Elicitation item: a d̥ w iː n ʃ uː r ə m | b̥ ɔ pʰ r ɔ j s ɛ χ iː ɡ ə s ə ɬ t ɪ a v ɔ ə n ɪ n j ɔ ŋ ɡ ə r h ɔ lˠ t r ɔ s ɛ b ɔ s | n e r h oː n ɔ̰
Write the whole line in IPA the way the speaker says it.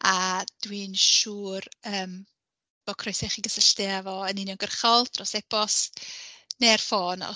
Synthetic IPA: a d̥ w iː n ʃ uː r əː m | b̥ ɔ kʰ r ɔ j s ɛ χ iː ɡ ə s ə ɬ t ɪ a v ɔ ə n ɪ n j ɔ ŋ ɡ ə r χ ɔ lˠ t r ɔ s ɛ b ɔ s | n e r f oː n ɔ̰